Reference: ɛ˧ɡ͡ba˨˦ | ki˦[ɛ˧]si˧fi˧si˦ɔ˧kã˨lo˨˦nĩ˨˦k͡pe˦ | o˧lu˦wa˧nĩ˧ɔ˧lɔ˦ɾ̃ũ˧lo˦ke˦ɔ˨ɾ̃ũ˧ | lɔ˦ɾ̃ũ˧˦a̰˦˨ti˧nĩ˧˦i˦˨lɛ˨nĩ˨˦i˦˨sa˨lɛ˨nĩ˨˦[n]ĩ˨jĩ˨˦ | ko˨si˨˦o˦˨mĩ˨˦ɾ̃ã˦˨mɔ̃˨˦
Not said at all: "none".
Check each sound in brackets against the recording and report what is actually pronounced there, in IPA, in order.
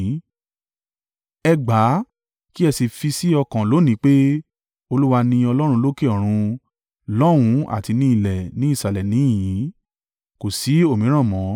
ɛ˧, none

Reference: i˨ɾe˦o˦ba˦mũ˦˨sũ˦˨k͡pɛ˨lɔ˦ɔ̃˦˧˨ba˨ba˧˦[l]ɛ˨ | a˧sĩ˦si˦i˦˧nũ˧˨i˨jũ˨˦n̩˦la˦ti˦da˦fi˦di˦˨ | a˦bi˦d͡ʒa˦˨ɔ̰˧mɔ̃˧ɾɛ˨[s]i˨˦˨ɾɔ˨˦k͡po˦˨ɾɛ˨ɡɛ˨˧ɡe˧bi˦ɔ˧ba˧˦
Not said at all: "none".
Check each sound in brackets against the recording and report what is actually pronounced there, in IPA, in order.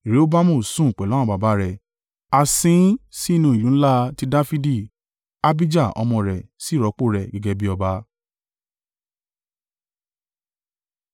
ɾ, s

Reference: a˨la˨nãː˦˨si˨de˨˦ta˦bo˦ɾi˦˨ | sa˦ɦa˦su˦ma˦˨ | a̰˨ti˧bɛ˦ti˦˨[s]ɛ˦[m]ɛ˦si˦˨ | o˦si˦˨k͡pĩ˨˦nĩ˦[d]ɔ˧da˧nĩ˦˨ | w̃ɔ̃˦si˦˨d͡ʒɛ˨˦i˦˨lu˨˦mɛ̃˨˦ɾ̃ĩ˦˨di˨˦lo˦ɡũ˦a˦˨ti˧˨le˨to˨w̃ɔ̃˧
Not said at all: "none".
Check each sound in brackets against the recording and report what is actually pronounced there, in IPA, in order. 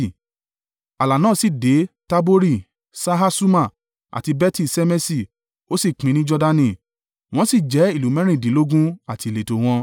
s, m, d͡ʒ

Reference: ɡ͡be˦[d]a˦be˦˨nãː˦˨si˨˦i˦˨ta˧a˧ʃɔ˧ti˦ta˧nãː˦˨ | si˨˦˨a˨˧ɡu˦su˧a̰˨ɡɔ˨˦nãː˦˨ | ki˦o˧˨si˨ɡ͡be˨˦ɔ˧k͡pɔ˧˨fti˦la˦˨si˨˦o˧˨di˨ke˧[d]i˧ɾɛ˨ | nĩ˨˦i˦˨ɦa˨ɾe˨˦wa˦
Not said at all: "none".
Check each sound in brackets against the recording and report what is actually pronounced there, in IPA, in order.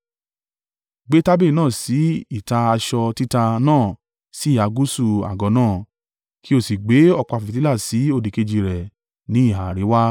t, d͡ʒ

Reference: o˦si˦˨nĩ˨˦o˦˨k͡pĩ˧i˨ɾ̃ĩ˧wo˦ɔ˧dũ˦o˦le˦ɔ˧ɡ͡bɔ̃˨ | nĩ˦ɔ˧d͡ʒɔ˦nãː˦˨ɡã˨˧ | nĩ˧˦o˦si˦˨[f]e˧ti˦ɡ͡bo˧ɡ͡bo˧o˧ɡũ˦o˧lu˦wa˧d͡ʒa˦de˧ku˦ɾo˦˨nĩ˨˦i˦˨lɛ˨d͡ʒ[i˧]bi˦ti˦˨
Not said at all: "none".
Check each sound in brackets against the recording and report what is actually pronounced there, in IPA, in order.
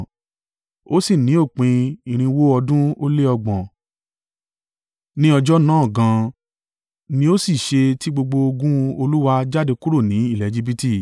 ʃ, i˧

